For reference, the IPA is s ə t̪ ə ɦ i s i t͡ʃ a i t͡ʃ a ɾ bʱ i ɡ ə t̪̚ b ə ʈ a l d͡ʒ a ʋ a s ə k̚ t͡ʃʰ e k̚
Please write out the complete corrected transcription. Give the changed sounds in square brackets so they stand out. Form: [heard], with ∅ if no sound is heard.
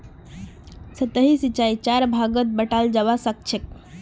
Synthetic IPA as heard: s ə t̪ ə ɦ i s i t͡ʃ a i t͡ʃ a ɾ bʱ [a] ɡ ə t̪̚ b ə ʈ a l d͡ʒ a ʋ a s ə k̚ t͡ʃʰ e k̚